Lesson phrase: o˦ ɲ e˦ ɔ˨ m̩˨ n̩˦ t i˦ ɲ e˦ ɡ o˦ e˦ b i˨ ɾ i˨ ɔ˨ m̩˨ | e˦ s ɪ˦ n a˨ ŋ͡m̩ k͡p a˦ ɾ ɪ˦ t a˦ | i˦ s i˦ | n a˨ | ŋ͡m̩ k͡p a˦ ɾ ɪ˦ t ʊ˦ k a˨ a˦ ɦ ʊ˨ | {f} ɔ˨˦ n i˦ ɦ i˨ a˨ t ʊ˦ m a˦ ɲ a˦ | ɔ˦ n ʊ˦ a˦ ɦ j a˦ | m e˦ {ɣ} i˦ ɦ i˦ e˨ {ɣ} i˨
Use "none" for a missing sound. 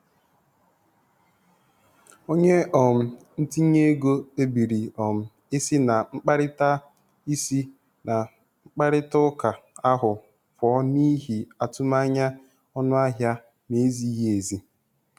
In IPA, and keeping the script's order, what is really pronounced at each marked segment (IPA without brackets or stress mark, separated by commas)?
f, z, z